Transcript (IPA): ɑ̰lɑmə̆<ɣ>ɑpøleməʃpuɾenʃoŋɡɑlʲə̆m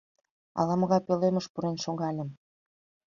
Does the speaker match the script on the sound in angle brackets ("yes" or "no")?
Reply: yes